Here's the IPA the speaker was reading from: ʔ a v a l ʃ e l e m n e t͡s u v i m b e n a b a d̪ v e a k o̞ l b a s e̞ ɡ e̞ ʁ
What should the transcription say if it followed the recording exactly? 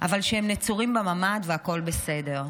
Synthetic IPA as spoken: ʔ a v a l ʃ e e m n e t͡s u ʁ i m b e m a m a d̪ v e a k o̞ l b e s e̞ d e̞ ʁ